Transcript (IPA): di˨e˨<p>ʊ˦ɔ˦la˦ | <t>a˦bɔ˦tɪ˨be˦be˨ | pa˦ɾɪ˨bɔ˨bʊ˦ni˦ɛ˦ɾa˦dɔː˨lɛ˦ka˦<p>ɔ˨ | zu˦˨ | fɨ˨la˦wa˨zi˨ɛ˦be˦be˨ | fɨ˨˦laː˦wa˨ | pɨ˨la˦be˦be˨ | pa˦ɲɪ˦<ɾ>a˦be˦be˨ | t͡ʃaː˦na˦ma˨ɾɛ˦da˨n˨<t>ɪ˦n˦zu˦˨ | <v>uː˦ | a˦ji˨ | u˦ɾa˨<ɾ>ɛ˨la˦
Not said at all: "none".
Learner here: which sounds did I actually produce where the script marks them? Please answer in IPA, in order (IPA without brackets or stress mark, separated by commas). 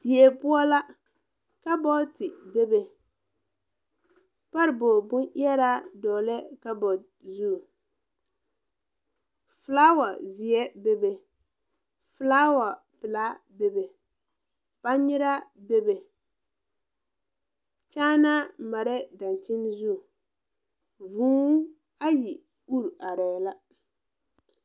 p, k, b, ɾ, t͡ʃ, v, ɾ